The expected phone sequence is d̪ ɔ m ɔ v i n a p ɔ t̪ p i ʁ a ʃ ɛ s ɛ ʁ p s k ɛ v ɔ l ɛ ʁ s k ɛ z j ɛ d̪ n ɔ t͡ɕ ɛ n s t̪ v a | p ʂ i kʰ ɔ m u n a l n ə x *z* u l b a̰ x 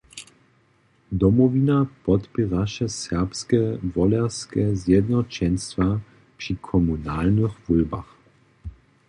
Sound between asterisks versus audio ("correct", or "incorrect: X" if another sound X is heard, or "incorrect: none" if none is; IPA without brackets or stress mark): incorrect: v